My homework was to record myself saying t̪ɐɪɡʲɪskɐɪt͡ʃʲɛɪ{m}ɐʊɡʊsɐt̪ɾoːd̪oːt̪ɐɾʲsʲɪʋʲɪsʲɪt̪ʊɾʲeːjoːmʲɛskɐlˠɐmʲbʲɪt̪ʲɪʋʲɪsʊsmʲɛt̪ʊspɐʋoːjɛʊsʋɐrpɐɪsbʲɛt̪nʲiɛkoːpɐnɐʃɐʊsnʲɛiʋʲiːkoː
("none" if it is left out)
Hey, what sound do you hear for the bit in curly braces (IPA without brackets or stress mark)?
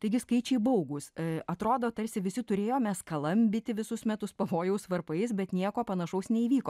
b